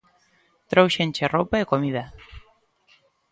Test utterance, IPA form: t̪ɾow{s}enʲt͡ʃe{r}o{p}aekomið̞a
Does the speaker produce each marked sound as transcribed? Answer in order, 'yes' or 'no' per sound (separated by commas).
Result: no, yes, yes